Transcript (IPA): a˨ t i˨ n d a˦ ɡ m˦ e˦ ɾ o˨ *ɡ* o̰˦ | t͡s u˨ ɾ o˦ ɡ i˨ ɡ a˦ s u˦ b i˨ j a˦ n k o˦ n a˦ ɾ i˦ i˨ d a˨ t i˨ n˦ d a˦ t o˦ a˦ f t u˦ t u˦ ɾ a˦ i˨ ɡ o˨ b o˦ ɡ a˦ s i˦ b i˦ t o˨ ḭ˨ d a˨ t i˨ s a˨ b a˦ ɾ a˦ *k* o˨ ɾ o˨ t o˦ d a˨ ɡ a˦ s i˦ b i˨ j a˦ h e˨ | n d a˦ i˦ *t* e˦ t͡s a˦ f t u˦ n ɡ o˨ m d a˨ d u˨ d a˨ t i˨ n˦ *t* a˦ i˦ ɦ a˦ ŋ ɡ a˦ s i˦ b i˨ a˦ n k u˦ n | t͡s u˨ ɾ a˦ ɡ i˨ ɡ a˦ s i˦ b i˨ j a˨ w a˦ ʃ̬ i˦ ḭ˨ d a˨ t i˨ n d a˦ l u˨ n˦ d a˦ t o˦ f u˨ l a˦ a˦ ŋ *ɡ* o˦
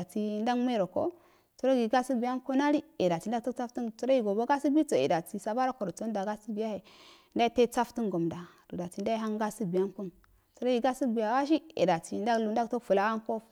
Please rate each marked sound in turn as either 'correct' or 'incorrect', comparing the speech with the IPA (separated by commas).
incorrect, correct, correct, incorrect, incorrect